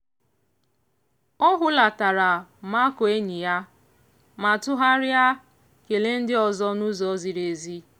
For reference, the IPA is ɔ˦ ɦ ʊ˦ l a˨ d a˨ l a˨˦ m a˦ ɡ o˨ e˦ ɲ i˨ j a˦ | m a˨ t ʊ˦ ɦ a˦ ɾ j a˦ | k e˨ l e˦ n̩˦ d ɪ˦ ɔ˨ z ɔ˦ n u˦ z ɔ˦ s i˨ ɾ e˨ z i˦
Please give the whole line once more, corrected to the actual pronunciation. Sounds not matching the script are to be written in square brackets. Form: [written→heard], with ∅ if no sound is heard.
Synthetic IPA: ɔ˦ ɦ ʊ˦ l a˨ [d→t] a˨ [l→ɾ] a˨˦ m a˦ [ɡ→k] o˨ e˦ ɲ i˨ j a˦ | m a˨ t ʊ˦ ɦ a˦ ɾ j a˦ | k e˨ l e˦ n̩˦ d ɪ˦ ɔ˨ z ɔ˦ n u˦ z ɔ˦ [s→z] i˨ ɾ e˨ z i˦